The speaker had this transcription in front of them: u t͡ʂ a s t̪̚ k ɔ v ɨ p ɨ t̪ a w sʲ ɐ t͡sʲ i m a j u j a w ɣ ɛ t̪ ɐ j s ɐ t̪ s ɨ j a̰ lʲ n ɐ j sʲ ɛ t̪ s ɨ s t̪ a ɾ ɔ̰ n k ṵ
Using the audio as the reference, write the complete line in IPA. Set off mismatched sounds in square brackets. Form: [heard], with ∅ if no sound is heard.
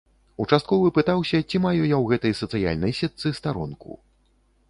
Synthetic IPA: u t͡ʂ a s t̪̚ k ɔ v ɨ p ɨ t̪ a w sʲ ɐ t͡sʲ i m a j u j a w ɣ ɛ t̪ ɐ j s ɐ t̪ s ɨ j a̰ lʲ n ɐ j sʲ ɛ t̪ s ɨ s t̪ a ɾ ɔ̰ n k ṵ